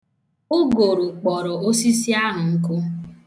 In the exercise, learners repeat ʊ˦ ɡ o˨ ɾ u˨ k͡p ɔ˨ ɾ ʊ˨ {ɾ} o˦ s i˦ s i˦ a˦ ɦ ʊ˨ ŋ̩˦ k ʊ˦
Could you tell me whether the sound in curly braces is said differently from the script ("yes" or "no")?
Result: yes